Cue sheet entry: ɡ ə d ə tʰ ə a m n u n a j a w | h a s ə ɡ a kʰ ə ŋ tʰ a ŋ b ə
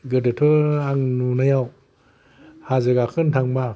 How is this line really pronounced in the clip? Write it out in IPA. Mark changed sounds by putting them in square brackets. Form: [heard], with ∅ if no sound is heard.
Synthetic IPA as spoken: ɡ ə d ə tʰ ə a [ŋ] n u n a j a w | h a [z] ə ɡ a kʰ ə [n] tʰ a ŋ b [a]